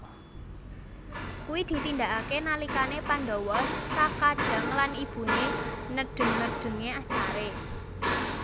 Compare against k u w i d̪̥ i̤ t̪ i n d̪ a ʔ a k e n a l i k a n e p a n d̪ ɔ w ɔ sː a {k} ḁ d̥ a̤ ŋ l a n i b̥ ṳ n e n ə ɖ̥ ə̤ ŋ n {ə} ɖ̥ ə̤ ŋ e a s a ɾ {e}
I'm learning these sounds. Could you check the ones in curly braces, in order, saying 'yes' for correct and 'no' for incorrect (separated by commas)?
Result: yes, yes, yes